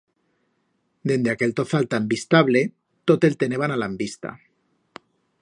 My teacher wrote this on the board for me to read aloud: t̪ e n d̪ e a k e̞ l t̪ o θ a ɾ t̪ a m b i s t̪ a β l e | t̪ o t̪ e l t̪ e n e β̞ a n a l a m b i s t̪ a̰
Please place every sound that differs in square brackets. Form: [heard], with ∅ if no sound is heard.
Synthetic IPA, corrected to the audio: [d̪] e n d̪ e a k e̞ l t̪ o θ a [l] t̪ a m b i s t̪ a β l e | t̪ o t̪ e l t̪ e n e β̞ a n a l a m b i s t̪ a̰